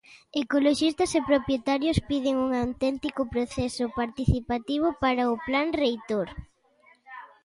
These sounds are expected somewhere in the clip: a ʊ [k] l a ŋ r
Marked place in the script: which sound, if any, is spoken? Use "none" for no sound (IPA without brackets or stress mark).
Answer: p